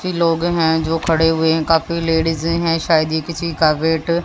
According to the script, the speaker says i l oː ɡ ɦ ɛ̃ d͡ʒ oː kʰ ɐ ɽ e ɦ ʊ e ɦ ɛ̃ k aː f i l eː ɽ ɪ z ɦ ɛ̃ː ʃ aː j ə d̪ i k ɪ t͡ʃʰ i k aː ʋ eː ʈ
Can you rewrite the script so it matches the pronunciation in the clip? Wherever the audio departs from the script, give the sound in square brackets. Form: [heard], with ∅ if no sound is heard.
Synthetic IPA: i l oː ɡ ɦ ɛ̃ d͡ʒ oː kʰ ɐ ɽ e ɦ ʊ e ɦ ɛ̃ k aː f i l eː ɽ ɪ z ɦ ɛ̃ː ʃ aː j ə d̪ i k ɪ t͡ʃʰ i k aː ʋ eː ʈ